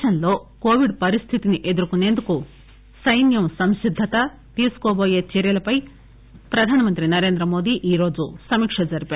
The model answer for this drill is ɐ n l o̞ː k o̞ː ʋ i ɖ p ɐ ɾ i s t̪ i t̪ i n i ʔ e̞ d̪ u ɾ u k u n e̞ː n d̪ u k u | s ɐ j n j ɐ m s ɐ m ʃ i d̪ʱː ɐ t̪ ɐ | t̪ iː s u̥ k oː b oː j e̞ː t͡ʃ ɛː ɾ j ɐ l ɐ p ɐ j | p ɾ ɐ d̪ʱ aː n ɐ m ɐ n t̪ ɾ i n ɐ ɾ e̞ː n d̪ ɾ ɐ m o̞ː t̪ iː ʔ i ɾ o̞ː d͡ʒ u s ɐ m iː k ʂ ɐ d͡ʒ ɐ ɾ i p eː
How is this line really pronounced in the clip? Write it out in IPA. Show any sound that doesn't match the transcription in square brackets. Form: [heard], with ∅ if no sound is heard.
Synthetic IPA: ɐ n l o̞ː k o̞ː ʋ i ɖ p ɐ ɾ i s [t̪ʰ] i t̪ i n i ʔ e̞ d̪ u ɾ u k u n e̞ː n d̪ u k u | s ɐ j n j ɐ m s ɐ m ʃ i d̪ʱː ɐ t̪ ɐ | t̪ iː s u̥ k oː b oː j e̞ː t͡ʃ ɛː ɾ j ɐ l ɐ p ɐ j | p ɾ ɐ d̪ʱ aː n ɐ m ɐ n t̪ ɾ i n ɐ ɾ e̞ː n d̪ ɾ ɐ m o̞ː [d̪] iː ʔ [iː] ɾ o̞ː d͡ʒ u s ɐ m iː k ʂ ɐ d͡ʒ ɐ ɾ i p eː